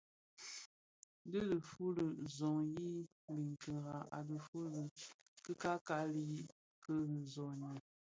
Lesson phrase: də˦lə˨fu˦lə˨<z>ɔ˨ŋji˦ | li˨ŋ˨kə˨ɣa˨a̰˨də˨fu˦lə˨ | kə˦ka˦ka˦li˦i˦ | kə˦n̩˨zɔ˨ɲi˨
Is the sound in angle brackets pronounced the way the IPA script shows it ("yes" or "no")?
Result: yes